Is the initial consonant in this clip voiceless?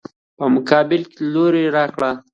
yes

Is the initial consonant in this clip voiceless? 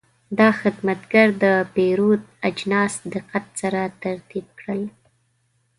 no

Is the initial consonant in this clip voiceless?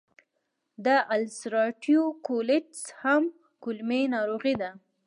no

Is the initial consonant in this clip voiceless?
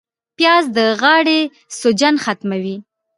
yes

